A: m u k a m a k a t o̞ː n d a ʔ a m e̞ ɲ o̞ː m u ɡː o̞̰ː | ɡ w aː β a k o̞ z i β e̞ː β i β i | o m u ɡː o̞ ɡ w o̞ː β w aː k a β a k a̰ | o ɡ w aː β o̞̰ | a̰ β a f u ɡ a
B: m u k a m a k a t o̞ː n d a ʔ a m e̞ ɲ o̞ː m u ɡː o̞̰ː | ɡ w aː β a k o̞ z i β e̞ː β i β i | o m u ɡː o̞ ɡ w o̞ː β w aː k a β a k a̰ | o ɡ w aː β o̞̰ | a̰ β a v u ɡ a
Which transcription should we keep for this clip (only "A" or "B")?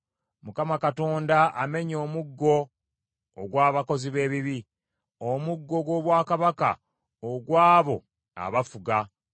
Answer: A